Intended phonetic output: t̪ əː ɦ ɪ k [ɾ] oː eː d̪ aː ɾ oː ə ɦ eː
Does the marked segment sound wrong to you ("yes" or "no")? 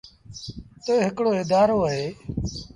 yes